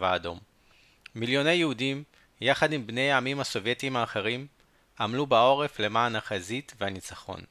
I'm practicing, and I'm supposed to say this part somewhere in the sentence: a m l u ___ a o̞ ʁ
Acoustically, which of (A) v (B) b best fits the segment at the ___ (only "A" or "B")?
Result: B